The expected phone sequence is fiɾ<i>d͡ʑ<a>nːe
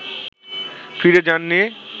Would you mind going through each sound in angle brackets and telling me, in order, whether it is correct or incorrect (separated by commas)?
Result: incorrect, correct